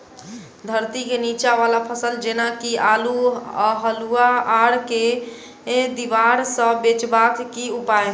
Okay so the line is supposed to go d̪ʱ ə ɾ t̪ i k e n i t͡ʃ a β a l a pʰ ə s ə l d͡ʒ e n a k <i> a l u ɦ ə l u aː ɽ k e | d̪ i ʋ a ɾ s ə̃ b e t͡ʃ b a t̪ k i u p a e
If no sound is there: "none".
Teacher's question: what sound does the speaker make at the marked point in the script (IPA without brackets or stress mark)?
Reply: i